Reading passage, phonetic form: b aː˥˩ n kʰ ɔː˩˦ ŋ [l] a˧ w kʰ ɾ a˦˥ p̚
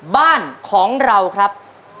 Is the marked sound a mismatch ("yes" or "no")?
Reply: yes